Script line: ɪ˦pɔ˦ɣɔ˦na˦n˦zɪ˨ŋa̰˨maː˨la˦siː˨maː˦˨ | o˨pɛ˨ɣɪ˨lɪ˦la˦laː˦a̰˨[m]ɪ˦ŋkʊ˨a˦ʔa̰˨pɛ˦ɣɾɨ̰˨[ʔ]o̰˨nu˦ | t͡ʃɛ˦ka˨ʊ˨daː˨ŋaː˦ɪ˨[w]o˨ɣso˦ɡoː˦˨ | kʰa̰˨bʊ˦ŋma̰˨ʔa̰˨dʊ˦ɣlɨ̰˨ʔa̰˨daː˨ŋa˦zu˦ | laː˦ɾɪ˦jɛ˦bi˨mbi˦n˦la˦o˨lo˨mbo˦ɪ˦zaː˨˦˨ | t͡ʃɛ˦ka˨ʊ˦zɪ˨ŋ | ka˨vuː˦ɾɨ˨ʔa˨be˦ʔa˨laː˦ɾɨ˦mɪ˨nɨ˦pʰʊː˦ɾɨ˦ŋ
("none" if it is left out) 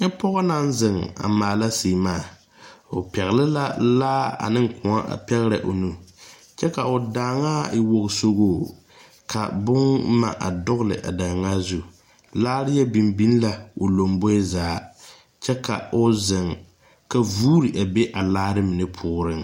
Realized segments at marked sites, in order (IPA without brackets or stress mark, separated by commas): n, ʔ, w